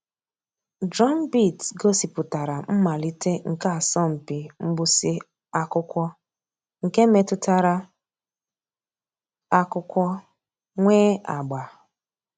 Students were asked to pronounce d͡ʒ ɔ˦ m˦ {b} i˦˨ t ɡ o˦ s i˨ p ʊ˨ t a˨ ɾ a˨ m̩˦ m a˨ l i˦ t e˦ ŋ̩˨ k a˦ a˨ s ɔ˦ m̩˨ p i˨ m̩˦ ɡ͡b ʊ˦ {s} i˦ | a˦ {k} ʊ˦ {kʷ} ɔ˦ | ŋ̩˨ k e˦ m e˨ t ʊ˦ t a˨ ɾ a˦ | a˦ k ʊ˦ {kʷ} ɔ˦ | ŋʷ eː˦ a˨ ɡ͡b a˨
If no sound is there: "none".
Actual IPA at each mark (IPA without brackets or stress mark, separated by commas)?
b, s, k, kʷ, kʷ